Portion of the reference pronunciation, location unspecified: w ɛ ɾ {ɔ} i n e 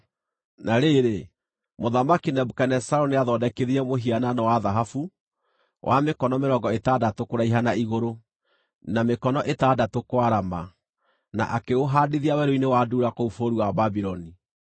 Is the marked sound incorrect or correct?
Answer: incorrect